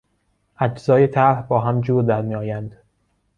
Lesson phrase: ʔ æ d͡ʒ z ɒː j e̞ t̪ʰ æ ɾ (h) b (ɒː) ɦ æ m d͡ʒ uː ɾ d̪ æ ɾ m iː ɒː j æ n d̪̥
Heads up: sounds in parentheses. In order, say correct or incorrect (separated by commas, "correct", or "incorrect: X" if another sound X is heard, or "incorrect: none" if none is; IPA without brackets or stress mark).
correct, correct